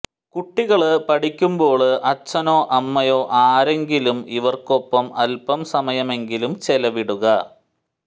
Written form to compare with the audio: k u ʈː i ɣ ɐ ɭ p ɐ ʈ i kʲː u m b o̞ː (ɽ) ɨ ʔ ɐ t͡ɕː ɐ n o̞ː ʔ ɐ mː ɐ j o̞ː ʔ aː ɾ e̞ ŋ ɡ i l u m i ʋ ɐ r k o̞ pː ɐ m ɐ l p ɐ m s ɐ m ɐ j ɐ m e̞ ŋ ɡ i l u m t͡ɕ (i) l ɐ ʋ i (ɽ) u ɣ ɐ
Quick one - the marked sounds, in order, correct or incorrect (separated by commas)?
incorrect, incorrect, correct